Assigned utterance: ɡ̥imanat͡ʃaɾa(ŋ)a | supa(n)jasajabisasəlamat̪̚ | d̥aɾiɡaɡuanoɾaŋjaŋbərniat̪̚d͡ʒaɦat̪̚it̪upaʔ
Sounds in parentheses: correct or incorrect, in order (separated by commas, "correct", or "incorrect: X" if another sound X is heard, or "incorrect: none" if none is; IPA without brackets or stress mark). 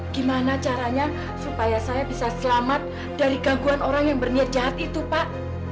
incorrect: ɲ, incorrect: none